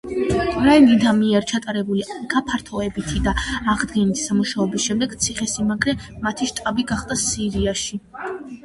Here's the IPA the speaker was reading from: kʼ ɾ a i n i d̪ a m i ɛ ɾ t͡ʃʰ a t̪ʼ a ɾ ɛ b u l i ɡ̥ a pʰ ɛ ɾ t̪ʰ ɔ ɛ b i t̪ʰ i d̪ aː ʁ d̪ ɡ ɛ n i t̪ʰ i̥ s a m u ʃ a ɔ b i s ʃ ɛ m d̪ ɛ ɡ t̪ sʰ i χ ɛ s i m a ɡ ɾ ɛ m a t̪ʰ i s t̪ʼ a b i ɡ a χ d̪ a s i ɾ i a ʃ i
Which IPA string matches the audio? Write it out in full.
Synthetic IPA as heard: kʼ ɾ a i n i d̪ a m i ɛ ɾ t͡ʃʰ a t̪ʼ a ɾ ɛ b u l i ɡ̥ a pʰ a ɾ t̪ʰ ɔ ɛ b i t̪ʰ i d̪ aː ʁ d̪ ɡ ɛ n i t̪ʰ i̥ s a m u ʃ a ɔ b i s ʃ ɛ m d̪ ɛ ɡ t̪ sʰ i χ ɛ s i m a ɡ ɾ ɛ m a t̪ʰ i ʃ t̪ʼ a b i ɡ a χ d̪ a s i ɾ i a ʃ i